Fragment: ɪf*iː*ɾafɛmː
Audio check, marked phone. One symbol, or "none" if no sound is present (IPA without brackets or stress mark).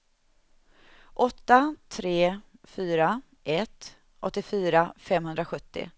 yː